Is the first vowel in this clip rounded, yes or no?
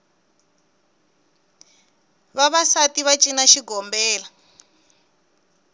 no